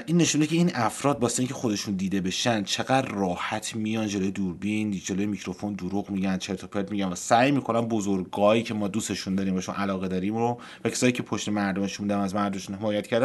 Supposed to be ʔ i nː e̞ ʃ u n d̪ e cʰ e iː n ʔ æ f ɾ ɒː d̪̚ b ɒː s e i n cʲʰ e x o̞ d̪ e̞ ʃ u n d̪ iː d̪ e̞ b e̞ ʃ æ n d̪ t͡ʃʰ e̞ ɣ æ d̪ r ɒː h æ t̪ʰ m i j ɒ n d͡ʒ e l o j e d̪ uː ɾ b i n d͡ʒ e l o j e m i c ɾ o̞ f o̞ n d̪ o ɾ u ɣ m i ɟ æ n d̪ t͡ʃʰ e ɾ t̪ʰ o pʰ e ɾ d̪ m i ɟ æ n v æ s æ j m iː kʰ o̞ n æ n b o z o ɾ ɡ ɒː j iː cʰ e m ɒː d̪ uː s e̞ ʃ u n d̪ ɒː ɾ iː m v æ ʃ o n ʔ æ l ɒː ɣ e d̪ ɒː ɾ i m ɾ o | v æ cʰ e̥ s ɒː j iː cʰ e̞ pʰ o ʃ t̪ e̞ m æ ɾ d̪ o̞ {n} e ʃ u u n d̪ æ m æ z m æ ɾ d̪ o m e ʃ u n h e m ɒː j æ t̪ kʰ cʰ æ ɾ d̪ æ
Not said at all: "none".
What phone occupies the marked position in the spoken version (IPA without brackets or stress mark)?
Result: m